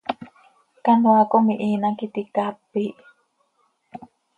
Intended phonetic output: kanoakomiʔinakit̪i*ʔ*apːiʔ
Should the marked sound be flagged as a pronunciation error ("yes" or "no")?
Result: yes